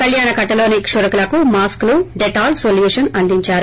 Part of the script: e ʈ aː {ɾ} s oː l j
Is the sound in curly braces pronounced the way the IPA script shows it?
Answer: no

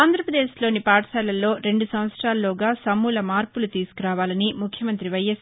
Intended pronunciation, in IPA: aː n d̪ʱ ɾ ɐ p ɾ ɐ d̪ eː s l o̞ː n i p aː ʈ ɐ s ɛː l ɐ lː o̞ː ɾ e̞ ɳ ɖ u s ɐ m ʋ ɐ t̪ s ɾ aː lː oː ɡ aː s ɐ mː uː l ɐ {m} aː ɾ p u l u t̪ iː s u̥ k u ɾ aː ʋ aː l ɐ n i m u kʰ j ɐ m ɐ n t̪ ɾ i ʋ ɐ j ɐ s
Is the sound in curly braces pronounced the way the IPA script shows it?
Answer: yes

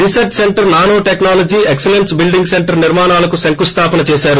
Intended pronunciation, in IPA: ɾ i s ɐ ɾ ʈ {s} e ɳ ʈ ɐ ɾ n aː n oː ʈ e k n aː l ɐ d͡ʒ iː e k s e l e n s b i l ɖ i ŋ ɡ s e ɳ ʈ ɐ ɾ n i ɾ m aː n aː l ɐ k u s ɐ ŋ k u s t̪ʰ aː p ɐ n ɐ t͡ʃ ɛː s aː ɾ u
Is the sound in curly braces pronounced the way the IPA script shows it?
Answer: yes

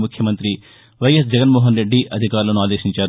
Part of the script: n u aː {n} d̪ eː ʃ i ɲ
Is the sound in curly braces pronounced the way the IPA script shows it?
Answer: no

